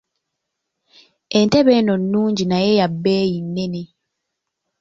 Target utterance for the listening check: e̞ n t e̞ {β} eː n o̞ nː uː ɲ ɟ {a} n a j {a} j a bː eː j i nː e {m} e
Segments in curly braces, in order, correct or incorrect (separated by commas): correct, incorrect, incorrect, incorrect